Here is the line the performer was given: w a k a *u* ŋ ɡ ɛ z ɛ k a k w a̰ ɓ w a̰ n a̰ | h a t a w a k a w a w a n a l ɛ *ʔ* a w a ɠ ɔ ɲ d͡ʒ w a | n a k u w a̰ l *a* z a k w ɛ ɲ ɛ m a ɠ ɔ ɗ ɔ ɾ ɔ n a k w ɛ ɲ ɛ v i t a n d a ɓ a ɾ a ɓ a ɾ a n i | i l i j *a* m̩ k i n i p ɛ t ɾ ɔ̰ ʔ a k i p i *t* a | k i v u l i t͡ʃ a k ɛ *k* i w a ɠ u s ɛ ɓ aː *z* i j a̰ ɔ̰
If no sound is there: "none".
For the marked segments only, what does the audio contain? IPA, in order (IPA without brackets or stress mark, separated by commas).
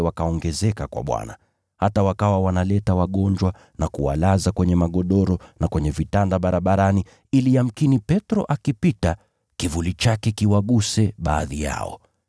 ɔ, t, a, a, t, k, ð